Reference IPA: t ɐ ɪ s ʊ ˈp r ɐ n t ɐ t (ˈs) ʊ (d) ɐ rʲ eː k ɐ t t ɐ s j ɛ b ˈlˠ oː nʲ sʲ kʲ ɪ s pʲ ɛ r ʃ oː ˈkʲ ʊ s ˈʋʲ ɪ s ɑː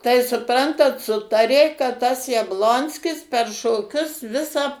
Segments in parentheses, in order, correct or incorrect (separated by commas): correct, incorrect